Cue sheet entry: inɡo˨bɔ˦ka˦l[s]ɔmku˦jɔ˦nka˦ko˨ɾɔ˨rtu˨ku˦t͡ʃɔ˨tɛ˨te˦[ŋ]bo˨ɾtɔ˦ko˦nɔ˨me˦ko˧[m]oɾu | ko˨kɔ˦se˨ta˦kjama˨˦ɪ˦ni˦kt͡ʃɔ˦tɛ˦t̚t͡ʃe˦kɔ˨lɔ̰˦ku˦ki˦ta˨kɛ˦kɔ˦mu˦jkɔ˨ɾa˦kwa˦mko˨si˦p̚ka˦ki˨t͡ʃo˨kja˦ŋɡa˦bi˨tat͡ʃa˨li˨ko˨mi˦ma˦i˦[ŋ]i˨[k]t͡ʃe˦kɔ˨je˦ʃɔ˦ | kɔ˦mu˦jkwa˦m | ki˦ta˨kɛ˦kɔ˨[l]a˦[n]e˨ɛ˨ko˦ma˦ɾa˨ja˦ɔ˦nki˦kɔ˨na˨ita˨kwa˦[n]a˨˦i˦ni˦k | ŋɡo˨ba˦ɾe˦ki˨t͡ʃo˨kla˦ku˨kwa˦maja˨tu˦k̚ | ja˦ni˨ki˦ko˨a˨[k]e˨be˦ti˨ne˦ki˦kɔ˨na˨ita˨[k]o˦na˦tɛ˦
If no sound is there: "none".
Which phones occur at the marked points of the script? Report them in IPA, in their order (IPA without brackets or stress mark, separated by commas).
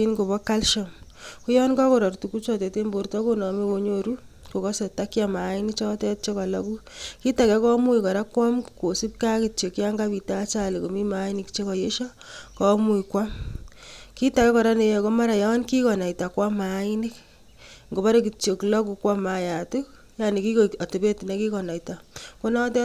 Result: ʃ, m, ɲ, n, k, ɾ, n, m, t, k